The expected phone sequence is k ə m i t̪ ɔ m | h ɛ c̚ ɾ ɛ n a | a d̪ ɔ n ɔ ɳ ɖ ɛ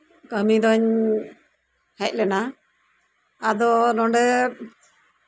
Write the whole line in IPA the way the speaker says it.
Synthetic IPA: k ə m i d̪ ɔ ɲ | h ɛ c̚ l ɛ n a | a d̪ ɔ n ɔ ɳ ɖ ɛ